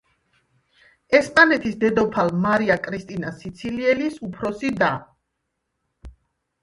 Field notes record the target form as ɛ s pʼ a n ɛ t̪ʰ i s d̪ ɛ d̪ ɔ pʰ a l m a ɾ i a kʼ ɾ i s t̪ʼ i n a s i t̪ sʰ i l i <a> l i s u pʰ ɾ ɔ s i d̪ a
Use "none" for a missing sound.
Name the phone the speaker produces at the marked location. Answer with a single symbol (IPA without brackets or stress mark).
ɛ